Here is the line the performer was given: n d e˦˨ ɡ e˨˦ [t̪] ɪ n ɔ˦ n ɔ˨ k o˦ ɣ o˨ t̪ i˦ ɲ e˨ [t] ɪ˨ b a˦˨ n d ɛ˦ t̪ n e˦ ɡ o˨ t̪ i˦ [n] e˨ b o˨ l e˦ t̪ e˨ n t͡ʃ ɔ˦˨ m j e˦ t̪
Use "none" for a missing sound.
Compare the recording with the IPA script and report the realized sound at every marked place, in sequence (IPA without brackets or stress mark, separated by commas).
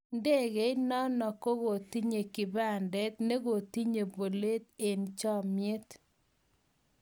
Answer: none, k, ɲ